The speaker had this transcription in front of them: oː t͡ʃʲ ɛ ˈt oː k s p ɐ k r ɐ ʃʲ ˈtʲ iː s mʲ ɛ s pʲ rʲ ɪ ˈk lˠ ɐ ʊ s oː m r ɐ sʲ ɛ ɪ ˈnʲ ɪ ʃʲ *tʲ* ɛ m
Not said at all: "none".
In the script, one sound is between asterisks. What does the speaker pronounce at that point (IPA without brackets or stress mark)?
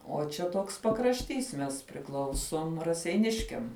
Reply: kʲ